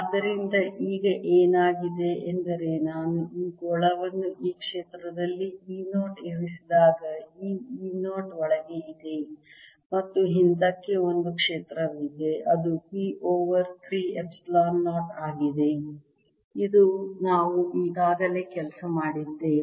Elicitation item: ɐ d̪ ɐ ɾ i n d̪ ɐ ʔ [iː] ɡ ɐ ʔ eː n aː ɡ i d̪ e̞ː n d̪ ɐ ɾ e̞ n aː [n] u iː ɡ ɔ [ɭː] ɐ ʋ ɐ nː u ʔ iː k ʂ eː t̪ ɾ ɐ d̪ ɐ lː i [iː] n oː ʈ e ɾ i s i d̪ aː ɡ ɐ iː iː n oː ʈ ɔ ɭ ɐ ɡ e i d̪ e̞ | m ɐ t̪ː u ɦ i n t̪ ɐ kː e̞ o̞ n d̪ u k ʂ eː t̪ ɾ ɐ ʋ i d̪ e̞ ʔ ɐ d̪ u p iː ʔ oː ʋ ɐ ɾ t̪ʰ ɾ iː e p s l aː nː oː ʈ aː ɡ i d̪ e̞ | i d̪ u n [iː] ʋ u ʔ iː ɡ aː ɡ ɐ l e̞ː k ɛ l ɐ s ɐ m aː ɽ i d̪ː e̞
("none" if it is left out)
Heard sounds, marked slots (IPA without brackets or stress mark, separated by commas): iː, n, ɭ, iː, aː